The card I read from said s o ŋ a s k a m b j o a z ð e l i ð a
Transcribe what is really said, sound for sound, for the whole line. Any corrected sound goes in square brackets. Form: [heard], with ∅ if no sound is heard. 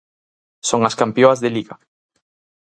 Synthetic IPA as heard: s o ŋ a s k a m [p] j o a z ð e l i [ɣ] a